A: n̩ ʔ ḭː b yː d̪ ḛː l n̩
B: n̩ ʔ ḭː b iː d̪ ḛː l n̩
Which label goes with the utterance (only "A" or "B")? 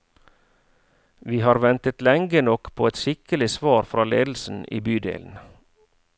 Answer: A